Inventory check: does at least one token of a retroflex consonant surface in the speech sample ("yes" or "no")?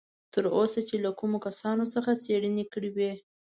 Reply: yes